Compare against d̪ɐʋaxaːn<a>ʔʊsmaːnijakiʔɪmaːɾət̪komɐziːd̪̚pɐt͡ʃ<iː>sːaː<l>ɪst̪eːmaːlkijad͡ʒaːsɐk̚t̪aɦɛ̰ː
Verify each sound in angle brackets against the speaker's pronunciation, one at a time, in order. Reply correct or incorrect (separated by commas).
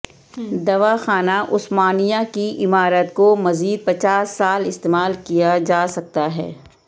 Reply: correct, incorrect, correct